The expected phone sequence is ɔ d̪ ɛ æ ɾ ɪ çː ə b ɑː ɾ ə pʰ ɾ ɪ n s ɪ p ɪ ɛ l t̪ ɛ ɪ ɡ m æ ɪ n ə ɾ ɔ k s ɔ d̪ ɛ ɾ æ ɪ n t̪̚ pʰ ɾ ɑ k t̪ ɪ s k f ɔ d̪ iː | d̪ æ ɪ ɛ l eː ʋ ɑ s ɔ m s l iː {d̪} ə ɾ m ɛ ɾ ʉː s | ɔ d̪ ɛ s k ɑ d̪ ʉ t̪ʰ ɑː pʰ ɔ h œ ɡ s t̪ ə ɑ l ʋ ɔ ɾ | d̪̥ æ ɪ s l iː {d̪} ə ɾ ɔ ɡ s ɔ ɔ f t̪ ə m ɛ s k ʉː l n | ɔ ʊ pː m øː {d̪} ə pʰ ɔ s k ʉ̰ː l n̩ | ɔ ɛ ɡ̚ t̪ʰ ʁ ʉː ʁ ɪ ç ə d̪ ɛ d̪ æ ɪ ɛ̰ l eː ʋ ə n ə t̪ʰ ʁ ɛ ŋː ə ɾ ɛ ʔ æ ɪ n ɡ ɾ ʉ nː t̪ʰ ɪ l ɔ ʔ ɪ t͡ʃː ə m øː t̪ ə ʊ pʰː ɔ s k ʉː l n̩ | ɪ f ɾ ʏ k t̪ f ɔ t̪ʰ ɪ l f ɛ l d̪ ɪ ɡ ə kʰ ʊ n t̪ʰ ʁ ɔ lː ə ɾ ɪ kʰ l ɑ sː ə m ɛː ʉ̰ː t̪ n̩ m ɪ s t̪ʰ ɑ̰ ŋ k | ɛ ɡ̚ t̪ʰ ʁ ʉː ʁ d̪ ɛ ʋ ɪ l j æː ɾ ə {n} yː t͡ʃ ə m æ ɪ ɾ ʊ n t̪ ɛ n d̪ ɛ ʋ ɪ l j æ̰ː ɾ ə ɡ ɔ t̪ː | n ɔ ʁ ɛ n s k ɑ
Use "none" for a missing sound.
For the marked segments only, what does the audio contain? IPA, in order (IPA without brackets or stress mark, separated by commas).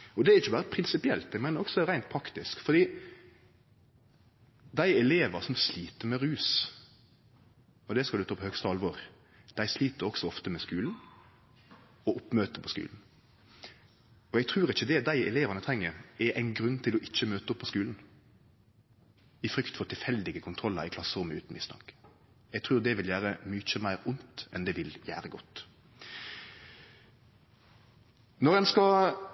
t̪, t̪, t̪, m